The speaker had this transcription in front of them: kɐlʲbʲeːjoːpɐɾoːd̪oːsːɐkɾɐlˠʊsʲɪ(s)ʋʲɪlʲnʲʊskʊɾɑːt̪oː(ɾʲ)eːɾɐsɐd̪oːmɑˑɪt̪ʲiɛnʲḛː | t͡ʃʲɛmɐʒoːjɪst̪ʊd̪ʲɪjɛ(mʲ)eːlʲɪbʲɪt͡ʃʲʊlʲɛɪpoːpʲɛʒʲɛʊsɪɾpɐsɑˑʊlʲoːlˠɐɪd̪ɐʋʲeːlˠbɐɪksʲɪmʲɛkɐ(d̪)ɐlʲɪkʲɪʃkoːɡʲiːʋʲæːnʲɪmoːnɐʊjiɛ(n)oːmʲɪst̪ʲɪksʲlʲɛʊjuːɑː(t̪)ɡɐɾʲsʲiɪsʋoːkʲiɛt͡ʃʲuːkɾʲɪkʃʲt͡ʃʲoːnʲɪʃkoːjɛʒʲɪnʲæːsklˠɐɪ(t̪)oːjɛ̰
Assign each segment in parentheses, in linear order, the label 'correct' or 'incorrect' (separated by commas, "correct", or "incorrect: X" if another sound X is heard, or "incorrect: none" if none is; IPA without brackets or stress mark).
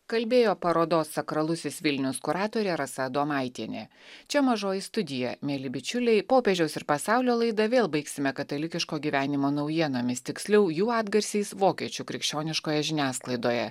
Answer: correct, correct, correct, incorrect: t̪, correct, incorrect: d̪, incorrect: d̪